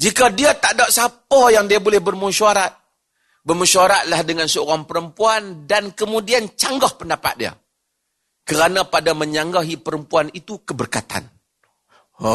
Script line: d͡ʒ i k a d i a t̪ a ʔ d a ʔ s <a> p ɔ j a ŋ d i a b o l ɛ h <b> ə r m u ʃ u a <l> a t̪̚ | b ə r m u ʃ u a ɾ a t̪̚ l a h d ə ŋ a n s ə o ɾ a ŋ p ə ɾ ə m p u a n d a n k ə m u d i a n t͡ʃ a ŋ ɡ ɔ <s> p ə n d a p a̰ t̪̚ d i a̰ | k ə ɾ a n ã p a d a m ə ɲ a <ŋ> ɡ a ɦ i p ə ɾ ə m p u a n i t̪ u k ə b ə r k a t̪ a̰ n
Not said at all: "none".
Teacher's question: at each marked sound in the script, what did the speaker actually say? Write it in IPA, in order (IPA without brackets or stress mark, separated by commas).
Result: a, b, ɾ, h, ŋ